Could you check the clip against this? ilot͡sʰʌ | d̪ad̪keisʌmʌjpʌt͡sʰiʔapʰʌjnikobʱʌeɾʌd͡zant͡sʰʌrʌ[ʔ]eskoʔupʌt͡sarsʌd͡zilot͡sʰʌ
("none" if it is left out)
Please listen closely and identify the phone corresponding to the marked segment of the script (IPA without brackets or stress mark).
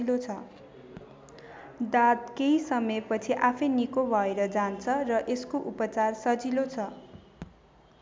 ʔ